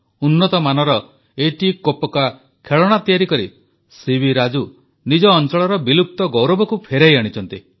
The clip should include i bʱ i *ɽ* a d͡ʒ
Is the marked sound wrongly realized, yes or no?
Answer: yes